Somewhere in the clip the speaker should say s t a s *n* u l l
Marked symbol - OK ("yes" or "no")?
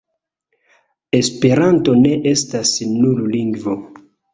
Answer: yes